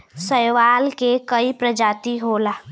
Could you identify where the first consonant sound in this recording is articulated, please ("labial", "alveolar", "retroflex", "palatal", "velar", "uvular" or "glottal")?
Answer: alveolar